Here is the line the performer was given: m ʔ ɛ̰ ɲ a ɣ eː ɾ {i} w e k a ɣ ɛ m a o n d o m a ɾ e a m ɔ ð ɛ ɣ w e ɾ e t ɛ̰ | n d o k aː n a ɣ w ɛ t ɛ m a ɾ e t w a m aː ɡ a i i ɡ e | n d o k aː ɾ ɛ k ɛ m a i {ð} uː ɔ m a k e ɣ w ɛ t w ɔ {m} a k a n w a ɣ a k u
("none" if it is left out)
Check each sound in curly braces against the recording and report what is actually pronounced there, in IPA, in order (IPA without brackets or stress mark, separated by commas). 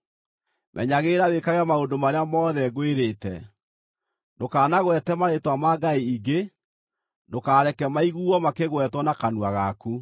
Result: a, ɣ, n